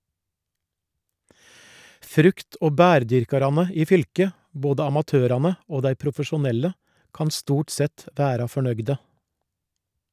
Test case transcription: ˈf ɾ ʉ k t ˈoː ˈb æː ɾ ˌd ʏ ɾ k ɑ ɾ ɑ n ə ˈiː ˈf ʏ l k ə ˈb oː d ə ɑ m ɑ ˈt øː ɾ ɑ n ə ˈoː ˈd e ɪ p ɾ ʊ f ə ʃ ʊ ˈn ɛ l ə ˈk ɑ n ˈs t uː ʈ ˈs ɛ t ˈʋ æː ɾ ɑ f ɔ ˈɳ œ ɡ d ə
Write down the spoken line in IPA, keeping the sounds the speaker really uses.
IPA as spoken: ˈf ɾ ʉ k t ˈoː ˈb æː ɾ ˌd ʏ ɾ k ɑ ɾ ɑ n ə ˈiː ˈf ʏ l k ə ˈb oː d ə ɑ m ɑ ˈt øː ɾ ɑ n ə ˈoː ˈd æ ɪ p ɾ ʊ f ə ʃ ʊ ˈn ɛ l ə ˈk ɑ n ˈs t uː ʈ ˈs ɛ t ˈʋ æː ɾ ɑ f ɔ ˈɳ œ ɡ d ə

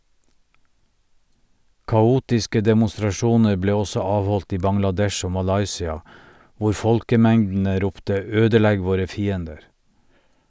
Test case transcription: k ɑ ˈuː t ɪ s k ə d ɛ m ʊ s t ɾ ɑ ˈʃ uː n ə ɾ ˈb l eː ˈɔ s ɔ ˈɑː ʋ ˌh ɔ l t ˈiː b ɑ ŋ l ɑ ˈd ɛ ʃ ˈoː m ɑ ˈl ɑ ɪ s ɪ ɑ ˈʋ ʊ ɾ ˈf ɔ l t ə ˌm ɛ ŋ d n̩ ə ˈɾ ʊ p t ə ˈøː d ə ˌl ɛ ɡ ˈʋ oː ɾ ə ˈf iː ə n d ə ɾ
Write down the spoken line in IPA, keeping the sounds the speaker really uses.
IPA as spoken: k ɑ ˈuː t ɪ s k ə d ɛ m ʊ s t ɾ ɑ ˈʃ uː n ə ɾ ˈb l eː ˈɔ s ɔ ˈɑː ʋ ˌh ɔ l t ˈiː b ɑ ŋ l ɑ ˈd ɛ ʃ ˈoː m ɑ ˈl ɑ ɪ s ɪ ɑ ˈʋ ʊ ɾ ˈf ɔ l k ə ˌm ɛ ŋ d n̩ ə ˈɾ ʊ p t ə ˈøː d ə ˌl ɛ ɡ ˈʋ oː ɾ ə ˈf iː ə n d ə ɾ

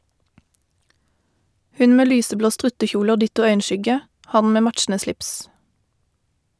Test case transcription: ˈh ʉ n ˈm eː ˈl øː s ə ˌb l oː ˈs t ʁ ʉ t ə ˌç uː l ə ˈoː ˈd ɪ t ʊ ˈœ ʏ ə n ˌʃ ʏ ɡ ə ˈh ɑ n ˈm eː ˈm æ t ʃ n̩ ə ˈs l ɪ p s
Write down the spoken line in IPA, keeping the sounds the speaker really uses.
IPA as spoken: ˈh ʉ n ˈm eː ˈl yː s ə ˌb l oː ˈs t ʁ ʉ t ə ˌç uː l ə ˈoː ˈd ɪ t ʊ ˈœ ʏ ə n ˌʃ ʏ ɡ ə ˈh ɑ n ˈm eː ˈm æ t ʃ n̩ ə ˈs l ɪ p s

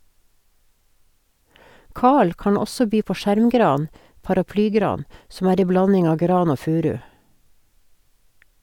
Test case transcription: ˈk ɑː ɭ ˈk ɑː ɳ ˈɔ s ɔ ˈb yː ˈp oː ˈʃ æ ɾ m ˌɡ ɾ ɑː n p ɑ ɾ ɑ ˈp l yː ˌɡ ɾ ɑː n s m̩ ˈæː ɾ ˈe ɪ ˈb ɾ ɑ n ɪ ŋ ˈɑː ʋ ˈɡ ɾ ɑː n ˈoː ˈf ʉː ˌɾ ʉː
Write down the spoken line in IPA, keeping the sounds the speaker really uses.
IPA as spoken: ˈk ɑː ɭ ˈk ɑː ɳ ˈɔ s ɔ ˈb yː ˈp oː ˈʃ æ ɾ m ˌɡ ɾ ɑː n p ɑ ɾ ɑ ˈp l yː ˌɡ ɾ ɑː n s m̩ ˈæː ɾ ˈe ɪ ˈb l ɑ n ɪ ŋ ˈɑː ʋ ˈɡ ɾ ɑː n ˈoː ˈf ʉː ˌɾ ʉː

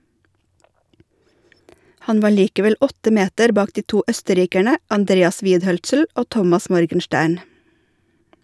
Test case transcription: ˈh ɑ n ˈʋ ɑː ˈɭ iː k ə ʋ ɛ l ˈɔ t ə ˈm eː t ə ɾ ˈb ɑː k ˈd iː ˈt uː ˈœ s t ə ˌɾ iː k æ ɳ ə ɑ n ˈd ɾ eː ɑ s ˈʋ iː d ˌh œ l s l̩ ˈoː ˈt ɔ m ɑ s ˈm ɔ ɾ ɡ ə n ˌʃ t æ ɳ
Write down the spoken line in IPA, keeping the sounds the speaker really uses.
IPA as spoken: ˈh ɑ n ˈʋ ɑː ˈɭ iː k ə ʋ ɛ l ˈɔ t ə ˈm eː t ə ɾ ˈb ɑː k ˈd iː ˈt uː ˈœ s t ə ˌɾ iː k æ ɳ ə ɑ n ˈd ɾ eː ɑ s ˈʋ iː d ˌh œ l s l̩ ˈoː ˈt ɔ m ɑ s ˈm ɔ ɾ ɡ ə n ˌʃ t æː ɳ

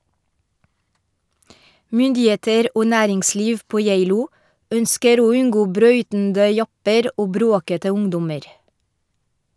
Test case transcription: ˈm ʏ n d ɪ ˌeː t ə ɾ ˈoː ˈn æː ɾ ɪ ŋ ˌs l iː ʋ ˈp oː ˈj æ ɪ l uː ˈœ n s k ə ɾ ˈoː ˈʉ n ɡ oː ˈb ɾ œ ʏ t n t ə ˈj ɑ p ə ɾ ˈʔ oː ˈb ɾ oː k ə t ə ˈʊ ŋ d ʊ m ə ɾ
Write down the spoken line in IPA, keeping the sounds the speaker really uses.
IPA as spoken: ˈm ʏ n d ɪ ˌeː t ə ɾ ˈoː ˈn æː ɾ ɪ ŋ ˌs l iː ʋ ˈp oː ˈj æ ɪ l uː ˈœ n s k ə ɾ ˈoː ˈʉ n ɡ oː ˈb ɾ œ ʏ t n d ə ˈj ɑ p ə ɾ ˈʔ oː ˈb ɾ oː k ə t ə ˈʊ ŋ d ʊ m ə ɾ

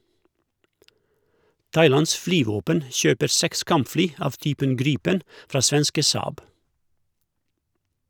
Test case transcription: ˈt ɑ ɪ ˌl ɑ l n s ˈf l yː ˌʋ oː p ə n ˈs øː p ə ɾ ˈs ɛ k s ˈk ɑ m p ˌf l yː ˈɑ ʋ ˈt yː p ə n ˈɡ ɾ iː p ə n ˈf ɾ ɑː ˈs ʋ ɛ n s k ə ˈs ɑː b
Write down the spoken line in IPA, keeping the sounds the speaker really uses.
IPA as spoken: ˈt ɑ ɪ ˌl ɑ n s ˈf l yː ˌʋ oː p ə n ˈʃ øː p ə ɾ ˈs ɛ k s ˈk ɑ m p ˌf l yː ˈɑ ʋ ˈt yː p ə n ˈɡ ɾ iː p ə n ˈf ɾ ɑː ˈs ʋ ɛ n s k ə ˈs ɑː b

